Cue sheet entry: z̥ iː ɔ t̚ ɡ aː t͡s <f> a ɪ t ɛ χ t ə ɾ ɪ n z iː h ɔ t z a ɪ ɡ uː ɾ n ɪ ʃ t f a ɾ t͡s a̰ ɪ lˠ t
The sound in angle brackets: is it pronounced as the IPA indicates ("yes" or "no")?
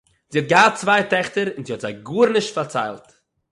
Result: no